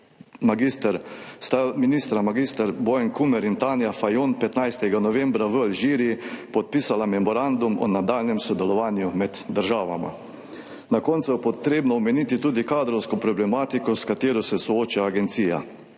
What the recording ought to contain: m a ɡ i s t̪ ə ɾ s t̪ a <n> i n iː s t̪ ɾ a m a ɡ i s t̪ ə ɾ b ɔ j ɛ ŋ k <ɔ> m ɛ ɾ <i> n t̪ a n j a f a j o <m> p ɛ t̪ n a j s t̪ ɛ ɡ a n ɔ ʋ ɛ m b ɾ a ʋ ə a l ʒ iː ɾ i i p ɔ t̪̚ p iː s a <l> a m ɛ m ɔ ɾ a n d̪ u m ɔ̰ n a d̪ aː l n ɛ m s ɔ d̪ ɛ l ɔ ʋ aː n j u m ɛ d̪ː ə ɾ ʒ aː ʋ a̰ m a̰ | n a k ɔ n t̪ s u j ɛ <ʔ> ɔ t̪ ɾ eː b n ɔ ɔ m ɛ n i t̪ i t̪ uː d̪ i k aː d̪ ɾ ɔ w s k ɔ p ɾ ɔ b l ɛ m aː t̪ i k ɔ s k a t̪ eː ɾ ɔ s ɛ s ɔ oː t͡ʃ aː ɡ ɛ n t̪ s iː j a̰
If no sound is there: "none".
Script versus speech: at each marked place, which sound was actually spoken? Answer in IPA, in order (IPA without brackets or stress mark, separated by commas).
m, u, i, n, l, p